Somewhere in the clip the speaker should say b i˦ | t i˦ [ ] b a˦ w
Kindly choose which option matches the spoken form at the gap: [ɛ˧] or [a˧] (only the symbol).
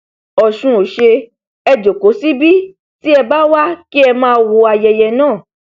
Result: ɛ˧